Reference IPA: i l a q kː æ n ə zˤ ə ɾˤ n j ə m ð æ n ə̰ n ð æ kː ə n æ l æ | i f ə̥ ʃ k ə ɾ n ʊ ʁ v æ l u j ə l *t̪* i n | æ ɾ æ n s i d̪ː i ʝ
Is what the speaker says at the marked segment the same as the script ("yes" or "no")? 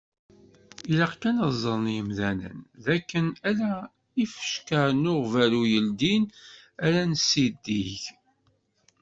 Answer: no